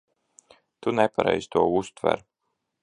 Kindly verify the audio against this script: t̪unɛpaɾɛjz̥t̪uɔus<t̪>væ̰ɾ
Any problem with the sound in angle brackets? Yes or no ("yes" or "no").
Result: no